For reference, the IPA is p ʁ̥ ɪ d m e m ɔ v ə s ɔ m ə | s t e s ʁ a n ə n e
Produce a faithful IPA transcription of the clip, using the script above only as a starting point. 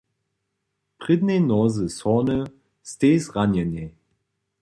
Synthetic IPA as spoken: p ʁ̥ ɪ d n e n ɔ z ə s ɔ n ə | s t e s ʁ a n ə n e